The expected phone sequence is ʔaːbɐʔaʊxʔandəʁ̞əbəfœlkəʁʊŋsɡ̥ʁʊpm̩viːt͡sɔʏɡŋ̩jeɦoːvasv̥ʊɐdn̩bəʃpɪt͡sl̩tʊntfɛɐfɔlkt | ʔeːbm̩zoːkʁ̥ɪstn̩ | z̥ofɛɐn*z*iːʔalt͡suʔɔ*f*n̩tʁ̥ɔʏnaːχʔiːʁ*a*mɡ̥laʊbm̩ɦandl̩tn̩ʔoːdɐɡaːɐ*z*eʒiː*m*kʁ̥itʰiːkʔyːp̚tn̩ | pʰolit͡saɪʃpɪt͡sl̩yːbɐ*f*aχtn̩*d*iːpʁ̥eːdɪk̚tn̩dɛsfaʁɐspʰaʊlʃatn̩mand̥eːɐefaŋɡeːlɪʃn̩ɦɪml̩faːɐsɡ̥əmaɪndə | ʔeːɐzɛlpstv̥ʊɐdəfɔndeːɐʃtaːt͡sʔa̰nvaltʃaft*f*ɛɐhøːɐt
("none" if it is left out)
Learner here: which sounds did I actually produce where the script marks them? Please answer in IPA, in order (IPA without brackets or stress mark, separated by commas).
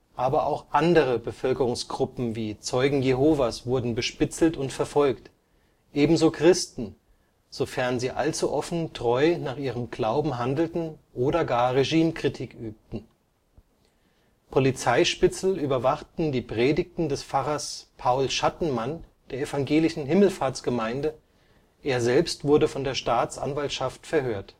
z, f, ə, ʁ, m, v, d, f